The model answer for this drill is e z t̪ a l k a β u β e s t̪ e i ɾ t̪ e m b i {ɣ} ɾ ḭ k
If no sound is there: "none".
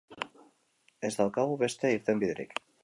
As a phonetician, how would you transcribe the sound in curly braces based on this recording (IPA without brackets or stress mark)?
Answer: ð